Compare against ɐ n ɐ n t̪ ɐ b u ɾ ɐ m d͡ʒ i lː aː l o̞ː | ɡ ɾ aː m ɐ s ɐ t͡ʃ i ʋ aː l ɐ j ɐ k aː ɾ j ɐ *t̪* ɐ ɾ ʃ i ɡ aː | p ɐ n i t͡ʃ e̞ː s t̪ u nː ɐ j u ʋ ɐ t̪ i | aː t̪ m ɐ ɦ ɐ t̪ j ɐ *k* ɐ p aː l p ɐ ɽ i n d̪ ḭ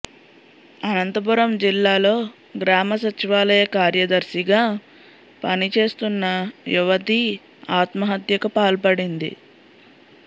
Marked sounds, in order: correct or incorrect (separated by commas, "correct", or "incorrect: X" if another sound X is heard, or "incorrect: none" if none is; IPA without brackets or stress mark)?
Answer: incorrect: d̪, correct